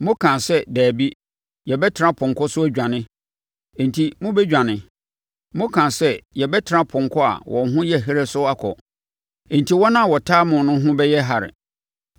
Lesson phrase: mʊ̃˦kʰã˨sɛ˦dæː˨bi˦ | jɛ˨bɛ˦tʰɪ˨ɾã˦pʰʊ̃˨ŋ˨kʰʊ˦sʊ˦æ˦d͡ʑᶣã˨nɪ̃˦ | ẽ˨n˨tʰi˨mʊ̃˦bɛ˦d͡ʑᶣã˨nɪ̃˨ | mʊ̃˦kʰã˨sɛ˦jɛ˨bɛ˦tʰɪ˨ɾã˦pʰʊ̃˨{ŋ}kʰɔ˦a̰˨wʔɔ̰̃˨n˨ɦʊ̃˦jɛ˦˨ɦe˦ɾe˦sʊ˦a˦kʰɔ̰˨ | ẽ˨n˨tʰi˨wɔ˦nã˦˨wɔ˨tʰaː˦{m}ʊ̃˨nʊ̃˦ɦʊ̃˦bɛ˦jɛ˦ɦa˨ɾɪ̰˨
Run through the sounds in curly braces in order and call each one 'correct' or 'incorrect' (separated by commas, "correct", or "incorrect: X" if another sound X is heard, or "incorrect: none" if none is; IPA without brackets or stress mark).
correct, correct